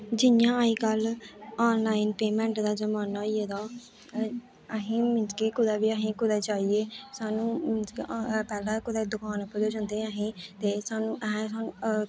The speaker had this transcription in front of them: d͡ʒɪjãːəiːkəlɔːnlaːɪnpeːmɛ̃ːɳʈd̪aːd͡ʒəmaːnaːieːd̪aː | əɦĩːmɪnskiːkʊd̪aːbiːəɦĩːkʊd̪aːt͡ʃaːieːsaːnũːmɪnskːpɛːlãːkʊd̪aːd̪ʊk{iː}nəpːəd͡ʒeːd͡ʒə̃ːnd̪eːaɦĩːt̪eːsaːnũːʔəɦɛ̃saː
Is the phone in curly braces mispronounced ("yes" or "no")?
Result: yes